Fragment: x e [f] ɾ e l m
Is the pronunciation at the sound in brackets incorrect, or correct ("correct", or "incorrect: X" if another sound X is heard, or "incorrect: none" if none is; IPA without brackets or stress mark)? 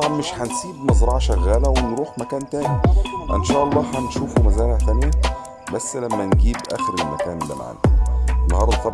incorrect: none